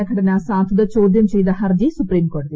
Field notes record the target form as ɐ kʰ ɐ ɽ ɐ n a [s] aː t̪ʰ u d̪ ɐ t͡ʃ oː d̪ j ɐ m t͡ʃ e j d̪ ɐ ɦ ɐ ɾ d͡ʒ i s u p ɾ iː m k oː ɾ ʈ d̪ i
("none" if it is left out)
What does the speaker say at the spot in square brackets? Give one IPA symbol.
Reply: s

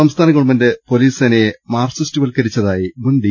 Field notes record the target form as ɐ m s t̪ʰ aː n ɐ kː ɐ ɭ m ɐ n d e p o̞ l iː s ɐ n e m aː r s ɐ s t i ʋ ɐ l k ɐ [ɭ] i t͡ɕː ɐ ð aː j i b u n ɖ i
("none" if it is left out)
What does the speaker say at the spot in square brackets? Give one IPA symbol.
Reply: ɾ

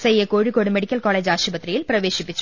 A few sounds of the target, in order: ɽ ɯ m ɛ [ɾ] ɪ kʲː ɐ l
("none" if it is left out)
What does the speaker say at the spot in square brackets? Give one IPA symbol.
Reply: ɽ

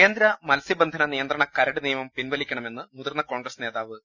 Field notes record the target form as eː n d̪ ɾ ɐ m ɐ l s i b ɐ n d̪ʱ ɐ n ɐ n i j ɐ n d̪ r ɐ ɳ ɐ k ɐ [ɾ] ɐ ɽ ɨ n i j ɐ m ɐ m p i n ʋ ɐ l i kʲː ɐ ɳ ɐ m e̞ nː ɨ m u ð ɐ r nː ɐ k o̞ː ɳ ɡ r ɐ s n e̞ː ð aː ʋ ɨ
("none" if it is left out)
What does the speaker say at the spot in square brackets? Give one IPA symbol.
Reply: ɾ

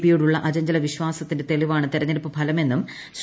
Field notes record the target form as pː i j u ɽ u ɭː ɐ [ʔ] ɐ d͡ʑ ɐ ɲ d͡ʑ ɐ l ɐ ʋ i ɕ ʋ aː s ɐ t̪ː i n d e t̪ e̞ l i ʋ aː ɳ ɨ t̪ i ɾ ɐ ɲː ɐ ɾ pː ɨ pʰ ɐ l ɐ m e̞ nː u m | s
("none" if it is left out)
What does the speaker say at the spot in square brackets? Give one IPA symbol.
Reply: ʔ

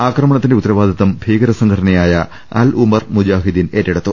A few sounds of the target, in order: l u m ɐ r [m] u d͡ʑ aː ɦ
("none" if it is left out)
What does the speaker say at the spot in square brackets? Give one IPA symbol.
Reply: m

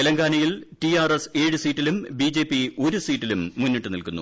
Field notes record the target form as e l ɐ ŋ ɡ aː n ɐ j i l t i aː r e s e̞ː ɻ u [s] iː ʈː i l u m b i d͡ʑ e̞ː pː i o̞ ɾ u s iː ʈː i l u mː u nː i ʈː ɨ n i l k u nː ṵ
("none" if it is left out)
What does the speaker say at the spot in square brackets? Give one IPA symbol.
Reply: s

